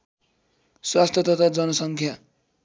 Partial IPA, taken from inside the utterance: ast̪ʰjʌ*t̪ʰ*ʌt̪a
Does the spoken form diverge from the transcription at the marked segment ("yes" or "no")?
yes